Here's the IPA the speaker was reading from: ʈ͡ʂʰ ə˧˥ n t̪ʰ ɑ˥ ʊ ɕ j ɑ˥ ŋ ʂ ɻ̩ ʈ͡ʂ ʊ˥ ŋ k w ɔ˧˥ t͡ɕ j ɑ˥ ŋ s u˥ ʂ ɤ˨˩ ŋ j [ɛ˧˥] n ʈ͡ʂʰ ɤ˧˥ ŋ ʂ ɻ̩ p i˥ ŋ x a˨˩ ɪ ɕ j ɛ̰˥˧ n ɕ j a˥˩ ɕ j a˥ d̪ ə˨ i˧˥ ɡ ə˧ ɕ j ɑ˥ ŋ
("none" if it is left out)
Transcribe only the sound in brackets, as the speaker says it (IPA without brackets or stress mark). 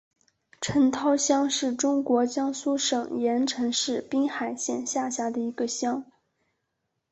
ɛ˧˥